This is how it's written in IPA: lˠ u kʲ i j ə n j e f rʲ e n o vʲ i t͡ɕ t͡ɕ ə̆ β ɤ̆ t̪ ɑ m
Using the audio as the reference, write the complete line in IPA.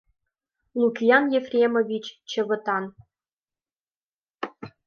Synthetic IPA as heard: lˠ u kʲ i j ɑ n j e f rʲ e m o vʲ i t͡ɕ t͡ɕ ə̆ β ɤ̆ t̪ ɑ n